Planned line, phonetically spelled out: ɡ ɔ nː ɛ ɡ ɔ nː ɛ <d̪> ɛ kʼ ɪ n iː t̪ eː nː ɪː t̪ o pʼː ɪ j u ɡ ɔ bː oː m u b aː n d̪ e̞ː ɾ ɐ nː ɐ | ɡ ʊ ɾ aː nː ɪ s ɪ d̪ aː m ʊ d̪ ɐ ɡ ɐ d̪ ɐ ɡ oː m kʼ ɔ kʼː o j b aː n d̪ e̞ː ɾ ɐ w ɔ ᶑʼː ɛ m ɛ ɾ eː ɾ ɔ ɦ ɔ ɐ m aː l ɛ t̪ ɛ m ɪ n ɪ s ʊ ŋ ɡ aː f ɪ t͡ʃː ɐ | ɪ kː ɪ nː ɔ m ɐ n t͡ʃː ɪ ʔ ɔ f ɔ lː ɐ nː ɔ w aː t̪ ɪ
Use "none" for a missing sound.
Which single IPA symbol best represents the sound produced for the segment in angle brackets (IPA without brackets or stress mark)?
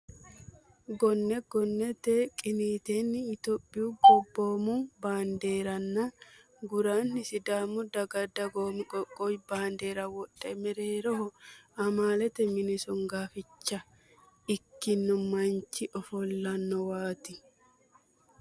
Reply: t̪